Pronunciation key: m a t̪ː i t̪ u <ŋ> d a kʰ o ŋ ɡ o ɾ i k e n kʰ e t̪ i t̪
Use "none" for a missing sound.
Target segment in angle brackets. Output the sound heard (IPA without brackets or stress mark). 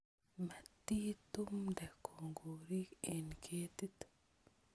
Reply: m